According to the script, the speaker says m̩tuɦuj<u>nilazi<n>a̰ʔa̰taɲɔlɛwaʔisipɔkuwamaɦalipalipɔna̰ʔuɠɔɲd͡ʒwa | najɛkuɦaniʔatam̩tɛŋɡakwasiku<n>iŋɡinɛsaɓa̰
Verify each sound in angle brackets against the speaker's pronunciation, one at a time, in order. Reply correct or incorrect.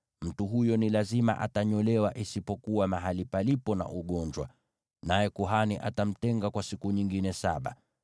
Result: incorrect: ɔ, incorrect: m, incorrect: ɲ

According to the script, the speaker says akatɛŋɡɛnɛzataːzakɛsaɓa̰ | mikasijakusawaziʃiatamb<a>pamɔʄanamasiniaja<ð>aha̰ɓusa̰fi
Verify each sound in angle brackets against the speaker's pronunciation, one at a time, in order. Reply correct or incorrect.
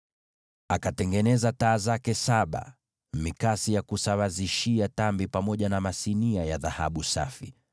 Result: incorrect: i, correct

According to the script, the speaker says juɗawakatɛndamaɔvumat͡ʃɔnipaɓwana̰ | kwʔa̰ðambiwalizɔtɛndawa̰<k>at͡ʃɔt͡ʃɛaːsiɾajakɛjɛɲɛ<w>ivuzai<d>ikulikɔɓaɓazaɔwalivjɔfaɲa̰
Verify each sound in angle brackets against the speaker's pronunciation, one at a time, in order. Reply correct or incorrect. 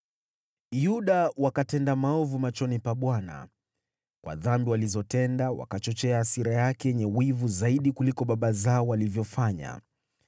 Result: correct, correct, incorrect: ɗ

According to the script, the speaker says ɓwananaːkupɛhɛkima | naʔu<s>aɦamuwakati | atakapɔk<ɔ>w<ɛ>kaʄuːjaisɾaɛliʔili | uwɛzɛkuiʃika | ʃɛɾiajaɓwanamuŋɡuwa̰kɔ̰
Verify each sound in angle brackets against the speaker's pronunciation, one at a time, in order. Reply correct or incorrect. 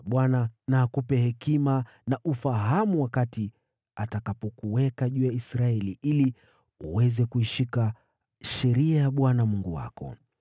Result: incorrect: f, incorrect: u, correct

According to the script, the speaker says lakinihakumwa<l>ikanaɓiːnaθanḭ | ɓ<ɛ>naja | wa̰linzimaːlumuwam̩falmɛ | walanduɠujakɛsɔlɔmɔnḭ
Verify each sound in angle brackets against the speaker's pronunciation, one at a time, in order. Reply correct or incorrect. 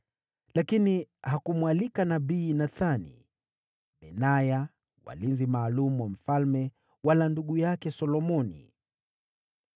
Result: correct, correct

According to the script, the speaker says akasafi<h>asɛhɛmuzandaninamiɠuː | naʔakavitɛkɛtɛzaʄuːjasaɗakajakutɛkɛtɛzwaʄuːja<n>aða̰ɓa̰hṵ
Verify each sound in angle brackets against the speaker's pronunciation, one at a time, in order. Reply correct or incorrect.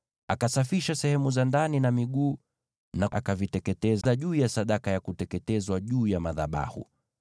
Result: incorrect: ʃ, incorrect: m

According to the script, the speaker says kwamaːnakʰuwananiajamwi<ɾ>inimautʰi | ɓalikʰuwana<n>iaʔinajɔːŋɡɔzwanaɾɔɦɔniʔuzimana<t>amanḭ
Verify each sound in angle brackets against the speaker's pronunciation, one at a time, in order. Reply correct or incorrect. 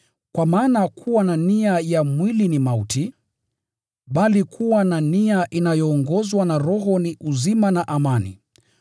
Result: incorrect: l, correct, incorrect: ʔ

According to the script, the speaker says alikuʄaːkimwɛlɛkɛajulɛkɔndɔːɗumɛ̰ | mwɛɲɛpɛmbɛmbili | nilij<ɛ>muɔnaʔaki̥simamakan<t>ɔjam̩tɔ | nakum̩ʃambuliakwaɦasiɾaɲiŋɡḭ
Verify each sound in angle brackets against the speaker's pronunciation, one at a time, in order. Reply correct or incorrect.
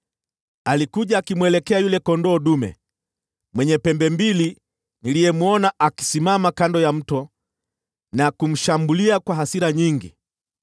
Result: correct, incorrect: d

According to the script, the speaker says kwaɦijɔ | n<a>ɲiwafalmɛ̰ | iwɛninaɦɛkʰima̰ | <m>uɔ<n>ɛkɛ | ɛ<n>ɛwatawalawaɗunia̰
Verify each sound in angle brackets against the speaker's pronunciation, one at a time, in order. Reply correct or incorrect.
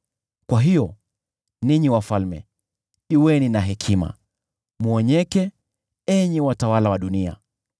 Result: incorrect: i, correct, incorrect: ɲ, incorrect: ɲ

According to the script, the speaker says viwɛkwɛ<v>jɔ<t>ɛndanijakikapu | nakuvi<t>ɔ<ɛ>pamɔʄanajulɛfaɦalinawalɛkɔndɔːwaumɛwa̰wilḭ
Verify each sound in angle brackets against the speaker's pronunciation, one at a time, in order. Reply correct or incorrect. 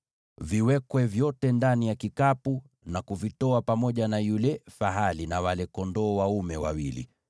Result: correct, correct, correct, incorrect: a

